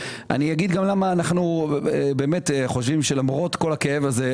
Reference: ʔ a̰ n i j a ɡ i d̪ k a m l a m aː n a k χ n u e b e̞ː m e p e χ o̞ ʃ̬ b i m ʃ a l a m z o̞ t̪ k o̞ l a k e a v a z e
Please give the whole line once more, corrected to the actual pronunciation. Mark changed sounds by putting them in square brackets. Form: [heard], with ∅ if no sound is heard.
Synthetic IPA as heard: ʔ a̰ n i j a ɡ i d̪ [ɡ] a m l a m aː n a [∅] χ n u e b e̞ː m e [t] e χ o̞ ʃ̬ [v] i m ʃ [e] l a m [ʁ] o̞ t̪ k o̞ l a k e [e] v a z e